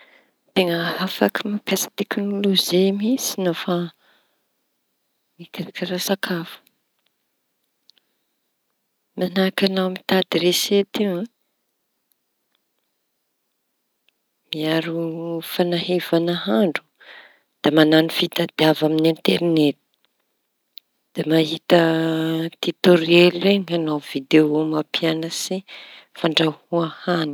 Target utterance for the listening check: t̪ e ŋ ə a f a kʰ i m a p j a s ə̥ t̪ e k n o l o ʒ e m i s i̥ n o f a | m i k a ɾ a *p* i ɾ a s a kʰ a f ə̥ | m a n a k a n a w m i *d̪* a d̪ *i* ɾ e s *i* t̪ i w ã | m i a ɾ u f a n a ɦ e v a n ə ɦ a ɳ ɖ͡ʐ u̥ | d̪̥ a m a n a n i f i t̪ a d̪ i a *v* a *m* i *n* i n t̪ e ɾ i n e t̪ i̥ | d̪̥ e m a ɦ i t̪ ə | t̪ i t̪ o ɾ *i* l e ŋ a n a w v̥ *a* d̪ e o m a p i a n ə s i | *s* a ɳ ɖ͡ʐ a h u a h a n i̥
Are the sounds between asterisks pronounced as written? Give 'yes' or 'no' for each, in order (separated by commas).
no, no, yes, no, yes, yes, yes, no, no, no